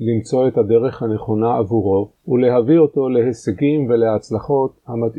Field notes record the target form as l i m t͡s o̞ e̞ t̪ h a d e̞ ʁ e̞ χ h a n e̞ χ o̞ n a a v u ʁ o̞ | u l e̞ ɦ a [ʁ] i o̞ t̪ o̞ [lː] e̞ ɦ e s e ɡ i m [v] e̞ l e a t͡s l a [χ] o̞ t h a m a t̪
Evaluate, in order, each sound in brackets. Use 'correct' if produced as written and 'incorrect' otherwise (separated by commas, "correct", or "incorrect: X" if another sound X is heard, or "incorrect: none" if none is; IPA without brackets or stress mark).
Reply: incorrect: v, incorrect: l, correct, correct